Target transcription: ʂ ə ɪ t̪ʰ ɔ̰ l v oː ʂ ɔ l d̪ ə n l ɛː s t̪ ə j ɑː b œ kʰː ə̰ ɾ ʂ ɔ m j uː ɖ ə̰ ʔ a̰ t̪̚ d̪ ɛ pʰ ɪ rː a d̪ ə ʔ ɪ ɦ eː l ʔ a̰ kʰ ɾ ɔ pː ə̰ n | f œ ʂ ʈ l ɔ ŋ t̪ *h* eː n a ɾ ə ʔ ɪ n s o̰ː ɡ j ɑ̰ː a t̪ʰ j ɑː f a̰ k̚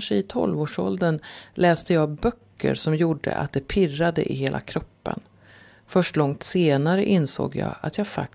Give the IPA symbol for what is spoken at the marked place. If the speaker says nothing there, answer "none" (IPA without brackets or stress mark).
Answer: s